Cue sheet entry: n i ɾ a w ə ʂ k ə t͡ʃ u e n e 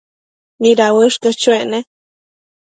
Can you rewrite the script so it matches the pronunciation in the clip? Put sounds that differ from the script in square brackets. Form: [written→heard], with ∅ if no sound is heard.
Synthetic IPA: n i ɾ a w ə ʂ k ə t͡ʃ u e n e